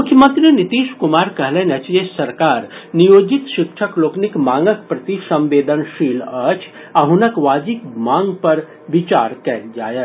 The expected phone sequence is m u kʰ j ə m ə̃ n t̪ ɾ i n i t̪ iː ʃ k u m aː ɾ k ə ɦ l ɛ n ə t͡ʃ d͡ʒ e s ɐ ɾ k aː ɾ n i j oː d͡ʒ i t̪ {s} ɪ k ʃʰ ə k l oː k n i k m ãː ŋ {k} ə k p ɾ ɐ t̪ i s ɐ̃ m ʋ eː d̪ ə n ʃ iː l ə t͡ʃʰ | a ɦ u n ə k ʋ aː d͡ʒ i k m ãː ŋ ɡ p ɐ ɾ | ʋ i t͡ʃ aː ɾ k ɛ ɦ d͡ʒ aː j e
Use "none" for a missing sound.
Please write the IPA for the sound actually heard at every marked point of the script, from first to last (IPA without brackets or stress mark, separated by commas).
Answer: ʃ, ɡ